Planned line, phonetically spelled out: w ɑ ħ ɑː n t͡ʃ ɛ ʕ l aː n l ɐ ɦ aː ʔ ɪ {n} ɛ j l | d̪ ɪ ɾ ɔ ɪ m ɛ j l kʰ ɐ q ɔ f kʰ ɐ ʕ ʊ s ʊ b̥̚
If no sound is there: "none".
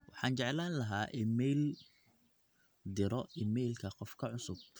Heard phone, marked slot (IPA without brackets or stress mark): m